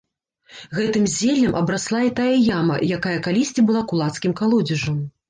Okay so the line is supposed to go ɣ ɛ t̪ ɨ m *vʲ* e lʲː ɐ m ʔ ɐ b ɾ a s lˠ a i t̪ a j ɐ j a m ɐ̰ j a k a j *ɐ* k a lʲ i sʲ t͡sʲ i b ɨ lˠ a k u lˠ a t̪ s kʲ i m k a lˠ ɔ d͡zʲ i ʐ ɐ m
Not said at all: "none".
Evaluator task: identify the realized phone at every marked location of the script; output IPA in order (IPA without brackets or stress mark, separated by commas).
zʲ, ɐ